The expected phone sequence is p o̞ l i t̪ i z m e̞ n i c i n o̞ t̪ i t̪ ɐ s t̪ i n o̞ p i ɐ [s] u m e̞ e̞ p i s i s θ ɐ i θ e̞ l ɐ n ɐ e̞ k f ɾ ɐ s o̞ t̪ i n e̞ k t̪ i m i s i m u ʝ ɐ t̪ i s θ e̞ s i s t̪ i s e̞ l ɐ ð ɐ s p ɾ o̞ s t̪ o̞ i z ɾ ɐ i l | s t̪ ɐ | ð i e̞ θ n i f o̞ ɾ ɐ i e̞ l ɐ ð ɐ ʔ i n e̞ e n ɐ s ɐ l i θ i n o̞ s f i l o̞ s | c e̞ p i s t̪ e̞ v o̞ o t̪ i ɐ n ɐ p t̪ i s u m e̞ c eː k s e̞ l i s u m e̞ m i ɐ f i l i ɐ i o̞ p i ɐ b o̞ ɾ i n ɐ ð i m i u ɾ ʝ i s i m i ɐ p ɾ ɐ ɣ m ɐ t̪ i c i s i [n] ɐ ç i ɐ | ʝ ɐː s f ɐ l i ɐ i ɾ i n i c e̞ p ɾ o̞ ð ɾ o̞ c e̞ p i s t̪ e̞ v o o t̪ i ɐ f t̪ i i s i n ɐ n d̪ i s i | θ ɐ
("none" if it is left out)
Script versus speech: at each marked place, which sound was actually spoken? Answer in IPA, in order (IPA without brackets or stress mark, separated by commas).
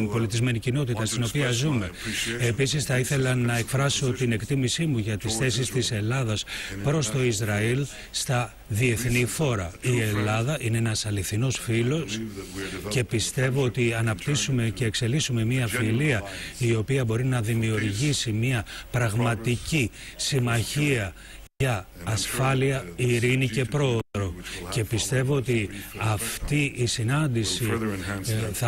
z, m